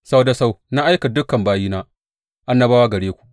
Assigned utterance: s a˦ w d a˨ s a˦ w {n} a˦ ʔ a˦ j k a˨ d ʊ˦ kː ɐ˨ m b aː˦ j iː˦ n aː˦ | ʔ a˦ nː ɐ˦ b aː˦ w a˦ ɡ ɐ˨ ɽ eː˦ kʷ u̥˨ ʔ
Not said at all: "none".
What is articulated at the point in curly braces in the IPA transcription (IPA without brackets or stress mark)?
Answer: n